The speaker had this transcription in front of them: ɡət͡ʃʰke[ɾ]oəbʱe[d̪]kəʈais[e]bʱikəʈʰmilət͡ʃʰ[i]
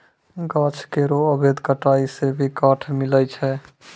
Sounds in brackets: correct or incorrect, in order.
correct, correct, correct, incorrect: ɛ

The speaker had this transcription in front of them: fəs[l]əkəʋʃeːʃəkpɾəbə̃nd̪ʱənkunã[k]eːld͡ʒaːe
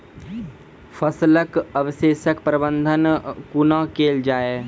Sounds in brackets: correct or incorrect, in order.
correct, correct

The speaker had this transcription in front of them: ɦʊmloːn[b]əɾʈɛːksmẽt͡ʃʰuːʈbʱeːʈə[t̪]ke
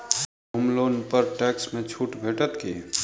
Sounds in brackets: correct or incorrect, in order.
incorrect: p, correct

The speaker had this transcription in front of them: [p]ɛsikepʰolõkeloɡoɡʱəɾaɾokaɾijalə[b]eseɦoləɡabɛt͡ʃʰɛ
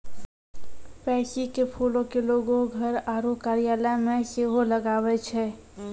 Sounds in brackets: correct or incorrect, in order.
correct, incorrect: m

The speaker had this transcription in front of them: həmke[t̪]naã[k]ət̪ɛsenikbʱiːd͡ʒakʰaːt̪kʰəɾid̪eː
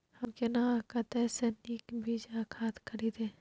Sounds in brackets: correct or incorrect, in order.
incorrect: none, correct

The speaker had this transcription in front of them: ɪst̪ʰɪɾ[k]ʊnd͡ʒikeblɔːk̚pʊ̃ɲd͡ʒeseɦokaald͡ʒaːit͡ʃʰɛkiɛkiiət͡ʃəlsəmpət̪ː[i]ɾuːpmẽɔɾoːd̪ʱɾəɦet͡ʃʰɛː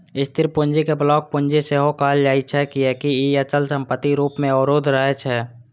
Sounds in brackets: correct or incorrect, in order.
incorrect: p, correct

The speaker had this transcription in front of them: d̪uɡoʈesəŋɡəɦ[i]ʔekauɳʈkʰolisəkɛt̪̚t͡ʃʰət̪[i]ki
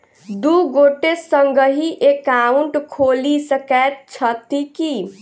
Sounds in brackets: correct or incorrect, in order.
correct, correct

